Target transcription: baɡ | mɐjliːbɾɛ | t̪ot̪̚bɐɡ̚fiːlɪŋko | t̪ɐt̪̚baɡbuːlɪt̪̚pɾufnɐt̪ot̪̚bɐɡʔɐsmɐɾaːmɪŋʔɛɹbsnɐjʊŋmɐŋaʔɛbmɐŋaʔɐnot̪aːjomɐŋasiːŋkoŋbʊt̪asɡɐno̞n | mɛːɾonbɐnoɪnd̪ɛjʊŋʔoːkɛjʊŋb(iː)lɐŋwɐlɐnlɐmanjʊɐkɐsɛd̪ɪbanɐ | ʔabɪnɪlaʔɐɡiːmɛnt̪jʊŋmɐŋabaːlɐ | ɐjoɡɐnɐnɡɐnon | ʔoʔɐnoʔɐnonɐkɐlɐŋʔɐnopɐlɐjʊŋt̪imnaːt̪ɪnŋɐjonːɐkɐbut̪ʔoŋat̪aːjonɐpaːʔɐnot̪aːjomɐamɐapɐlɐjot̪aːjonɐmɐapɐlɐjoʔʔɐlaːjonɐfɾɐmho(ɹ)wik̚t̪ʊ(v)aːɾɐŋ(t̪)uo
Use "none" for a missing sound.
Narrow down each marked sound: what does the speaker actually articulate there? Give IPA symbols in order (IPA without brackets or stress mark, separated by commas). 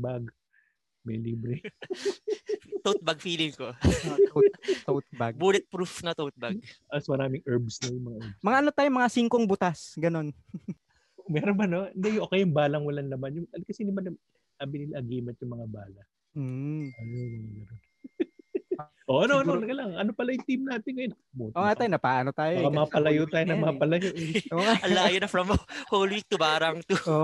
aː, l, b, t̪